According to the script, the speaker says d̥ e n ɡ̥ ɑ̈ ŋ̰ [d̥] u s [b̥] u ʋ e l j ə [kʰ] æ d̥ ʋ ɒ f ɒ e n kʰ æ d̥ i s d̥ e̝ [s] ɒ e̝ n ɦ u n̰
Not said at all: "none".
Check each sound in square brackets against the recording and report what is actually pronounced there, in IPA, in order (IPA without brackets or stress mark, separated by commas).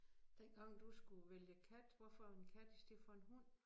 d̥, ɡ̥, kʰ, f